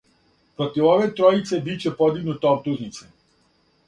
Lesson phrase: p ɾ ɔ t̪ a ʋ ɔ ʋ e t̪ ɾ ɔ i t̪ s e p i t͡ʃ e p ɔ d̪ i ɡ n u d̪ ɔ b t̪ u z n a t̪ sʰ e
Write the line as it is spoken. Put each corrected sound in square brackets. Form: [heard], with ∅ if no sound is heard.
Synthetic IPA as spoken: p ɾ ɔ t̪ [i] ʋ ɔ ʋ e t̪ ɾ ɔ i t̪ s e [b] i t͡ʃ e p ɔ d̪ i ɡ n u [t̪] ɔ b t̪ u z n [i] t̪ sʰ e